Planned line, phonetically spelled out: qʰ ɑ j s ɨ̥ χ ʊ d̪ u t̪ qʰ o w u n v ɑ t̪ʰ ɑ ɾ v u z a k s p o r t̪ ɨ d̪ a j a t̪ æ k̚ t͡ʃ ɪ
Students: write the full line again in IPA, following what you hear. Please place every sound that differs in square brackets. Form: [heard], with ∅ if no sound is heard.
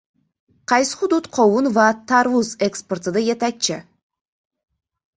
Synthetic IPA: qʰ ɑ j s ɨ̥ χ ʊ d̪ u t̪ qʰ o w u n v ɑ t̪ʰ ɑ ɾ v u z [e] k s p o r t̪ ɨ d̪ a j [e] t̪ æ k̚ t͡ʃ ɪ